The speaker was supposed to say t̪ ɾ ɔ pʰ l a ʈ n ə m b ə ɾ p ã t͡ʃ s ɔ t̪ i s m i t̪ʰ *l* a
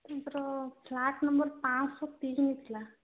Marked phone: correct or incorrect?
correct